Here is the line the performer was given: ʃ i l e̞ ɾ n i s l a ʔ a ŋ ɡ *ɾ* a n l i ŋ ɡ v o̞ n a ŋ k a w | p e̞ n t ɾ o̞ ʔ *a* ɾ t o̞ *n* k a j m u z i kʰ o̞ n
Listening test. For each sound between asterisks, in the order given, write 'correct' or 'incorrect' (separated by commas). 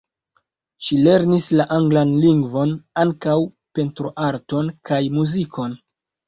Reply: incorrect, correct, correct